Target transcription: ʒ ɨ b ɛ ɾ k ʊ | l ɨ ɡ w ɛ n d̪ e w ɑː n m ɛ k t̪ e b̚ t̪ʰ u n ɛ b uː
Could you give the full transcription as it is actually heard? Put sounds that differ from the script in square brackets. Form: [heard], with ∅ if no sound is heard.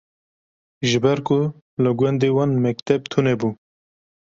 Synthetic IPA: ʒ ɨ b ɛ ɾ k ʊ | l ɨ ɡ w ɛ n d̪ e w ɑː n m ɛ k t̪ [ɛ] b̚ t̪ʰ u n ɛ b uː

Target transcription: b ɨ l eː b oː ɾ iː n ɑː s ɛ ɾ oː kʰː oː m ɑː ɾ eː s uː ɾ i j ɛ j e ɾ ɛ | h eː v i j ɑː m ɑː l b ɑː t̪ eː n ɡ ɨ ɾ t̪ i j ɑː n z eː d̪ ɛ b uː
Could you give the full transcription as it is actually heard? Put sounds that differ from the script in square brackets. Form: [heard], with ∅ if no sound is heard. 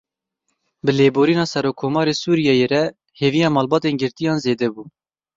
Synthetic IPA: b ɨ l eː b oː ɾ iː n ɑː s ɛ ɾ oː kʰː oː m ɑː ɾ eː s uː ɾ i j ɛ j e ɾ ɛ | h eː v i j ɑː m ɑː l b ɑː t̪ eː n ɡ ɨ ɾ t̪ i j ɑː n z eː d̪ ɛ b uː

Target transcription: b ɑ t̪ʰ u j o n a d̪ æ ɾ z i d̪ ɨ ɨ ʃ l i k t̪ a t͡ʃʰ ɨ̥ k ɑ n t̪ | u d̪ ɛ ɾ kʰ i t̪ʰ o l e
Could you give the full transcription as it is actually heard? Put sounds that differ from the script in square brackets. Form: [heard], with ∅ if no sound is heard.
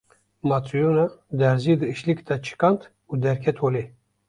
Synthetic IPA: [m] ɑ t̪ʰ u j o n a d̪ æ ɾ z i d̪ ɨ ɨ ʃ l i k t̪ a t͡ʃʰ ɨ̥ k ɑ n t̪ | u d̪ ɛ ɾ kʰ [ɛ] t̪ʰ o l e

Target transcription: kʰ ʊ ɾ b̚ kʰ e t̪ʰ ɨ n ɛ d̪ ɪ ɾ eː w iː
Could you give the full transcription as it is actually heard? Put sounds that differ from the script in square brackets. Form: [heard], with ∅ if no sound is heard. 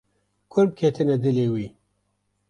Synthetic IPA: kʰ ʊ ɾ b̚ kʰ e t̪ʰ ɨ n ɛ d̪ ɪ [l] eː w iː

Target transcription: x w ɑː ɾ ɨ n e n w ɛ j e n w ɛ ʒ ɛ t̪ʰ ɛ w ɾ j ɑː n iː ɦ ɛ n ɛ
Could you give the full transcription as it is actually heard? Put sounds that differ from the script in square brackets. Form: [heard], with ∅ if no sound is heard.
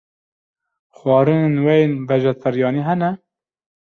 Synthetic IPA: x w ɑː ɾ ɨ n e n w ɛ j e n [v] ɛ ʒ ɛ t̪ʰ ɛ [∅] ɾ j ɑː n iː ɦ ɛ n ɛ

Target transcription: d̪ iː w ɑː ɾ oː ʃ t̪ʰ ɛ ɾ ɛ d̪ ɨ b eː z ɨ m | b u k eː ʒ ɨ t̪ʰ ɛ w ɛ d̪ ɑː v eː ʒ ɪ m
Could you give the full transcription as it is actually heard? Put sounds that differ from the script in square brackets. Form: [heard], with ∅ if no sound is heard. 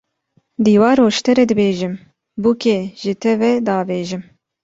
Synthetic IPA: d̪ iː w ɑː ɾ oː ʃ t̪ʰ ɛ ɾ ɛ d̪ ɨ b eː [ʒ] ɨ m | b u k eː ʒ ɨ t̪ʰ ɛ [v] ɛ d̪ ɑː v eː ʒ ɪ m

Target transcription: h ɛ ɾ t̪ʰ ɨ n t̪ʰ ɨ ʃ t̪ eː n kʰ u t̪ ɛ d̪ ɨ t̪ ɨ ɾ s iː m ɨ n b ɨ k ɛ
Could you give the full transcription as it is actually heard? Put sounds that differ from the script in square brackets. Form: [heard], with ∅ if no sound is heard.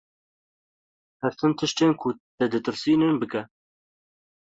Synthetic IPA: h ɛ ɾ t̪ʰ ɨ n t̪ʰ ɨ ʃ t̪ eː n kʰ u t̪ ɛ d̪ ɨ t̪ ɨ ɾ s iː [n] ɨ n b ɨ k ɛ

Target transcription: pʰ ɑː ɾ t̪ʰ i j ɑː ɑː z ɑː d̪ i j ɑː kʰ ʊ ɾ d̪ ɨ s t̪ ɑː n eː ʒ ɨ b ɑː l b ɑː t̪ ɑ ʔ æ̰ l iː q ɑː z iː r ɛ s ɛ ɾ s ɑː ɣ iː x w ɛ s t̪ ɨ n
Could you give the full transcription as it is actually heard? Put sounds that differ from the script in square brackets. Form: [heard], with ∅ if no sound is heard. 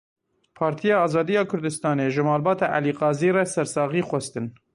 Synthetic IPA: pʰ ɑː ɾ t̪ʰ i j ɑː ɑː z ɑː d̪ i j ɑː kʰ ʊ ɾ d̪ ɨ s t̪ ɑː n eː ʒ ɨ [m] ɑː l b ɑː t̪ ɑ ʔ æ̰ l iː q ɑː z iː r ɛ s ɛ ɾ s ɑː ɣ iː x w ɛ s t̪ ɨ n

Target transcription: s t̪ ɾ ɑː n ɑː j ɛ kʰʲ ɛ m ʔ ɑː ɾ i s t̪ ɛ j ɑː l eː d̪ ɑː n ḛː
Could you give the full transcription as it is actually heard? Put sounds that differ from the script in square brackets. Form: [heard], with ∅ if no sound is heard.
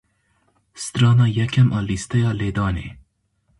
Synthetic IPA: s t̪ ɾ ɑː n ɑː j ɛ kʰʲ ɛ m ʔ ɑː [l] i s t̪ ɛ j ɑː l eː d̪ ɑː n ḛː

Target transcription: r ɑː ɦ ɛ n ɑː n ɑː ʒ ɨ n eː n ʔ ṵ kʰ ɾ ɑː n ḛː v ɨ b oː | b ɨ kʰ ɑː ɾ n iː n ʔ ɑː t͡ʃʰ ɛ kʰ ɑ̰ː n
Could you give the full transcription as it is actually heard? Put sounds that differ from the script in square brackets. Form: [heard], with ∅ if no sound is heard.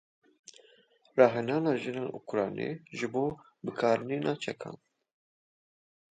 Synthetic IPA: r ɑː ɦ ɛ n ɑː n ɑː ʒ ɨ n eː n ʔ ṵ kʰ ɾ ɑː n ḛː [ʒ] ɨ b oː | b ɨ kʰ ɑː ɾ n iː n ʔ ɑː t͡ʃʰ ɛ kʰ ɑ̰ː n

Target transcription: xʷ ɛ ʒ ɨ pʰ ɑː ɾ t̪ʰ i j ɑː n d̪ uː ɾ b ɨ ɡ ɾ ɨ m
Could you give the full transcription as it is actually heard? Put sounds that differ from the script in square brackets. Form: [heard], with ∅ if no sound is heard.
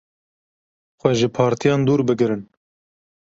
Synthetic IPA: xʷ ɛ ʒ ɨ pʰ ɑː ɾ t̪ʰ i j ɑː n d̪ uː ɾ b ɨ ɡ ɾ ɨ [n]

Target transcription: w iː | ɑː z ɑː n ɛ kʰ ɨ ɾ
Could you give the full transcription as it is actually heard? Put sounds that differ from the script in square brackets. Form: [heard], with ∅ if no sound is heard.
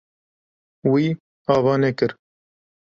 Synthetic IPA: w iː | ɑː [v] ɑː n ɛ [k] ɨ ɾ

